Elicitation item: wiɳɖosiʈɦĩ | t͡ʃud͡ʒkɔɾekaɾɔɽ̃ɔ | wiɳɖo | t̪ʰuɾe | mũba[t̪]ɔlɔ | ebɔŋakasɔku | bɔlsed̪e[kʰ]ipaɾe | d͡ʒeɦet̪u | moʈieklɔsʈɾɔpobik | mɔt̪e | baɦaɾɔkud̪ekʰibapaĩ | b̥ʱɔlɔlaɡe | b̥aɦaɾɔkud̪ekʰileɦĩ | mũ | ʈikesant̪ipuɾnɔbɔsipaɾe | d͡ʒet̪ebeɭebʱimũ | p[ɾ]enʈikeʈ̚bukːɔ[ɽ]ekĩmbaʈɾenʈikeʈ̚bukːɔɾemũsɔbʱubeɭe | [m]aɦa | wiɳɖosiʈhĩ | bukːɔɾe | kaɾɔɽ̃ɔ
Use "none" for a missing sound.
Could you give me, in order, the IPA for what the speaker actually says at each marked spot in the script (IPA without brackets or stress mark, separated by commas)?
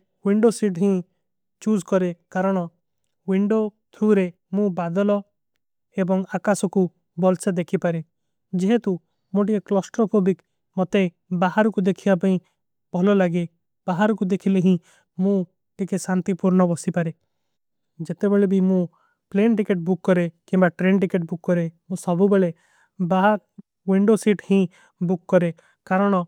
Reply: d̪, kʰ, l, ɾ, b